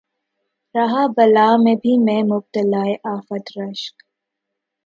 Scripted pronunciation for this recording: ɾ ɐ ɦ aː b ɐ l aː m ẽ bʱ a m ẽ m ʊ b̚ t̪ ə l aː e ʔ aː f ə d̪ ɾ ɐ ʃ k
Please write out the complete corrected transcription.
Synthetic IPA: ɾ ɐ ɦ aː b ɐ l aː m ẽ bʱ i m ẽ m ʊ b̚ t̪ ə l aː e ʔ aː f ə t̪ ɾ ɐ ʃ k